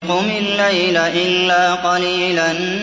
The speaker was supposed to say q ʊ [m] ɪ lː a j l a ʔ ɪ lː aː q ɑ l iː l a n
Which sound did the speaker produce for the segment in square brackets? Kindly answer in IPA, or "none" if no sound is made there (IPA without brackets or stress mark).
m